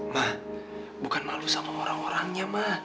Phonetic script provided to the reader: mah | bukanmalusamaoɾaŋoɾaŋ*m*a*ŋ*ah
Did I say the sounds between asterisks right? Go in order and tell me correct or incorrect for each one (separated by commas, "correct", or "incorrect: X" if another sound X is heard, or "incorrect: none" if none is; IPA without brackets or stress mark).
incorrect: ɲ, incorrect: m